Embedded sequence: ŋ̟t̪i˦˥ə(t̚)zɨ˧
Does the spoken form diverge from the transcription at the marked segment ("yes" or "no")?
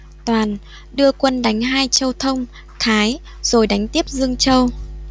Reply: yes